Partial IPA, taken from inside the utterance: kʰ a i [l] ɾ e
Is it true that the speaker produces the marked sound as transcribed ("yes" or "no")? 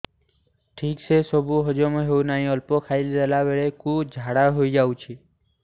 yes